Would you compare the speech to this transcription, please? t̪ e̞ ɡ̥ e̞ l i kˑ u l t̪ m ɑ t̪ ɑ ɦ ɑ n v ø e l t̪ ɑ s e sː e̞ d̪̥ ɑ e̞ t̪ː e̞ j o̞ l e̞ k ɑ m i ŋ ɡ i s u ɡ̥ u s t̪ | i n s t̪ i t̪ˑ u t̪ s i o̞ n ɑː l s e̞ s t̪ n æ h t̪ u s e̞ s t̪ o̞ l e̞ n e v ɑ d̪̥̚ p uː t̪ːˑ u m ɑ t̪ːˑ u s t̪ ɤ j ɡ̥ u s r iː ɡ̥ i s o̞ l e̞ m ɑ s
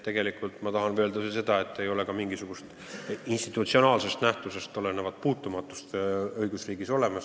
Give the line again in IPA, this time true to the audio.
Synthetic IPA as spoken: t̪ e̞ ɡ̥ e̞ l i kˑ u l t̪ m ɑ t̪ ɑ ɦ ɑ n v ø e l d̪ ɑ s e s e̞ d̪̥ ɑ e̞ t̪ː e̞ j o̞ l e̞ k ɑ m i ŋ ɡ i s u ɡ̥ u s t̪ | i n s t̪ i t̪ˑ u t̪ s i o̞ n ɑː l s e̞ s t̪ n æ h t̪ u s e̞ s t̪ o̞ l e̞ n e v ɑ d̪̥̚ p uː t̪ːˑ u m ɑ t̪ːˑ u s t̪ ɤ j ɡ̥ u s r iː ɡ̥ i s o̞ l e̞ m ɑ s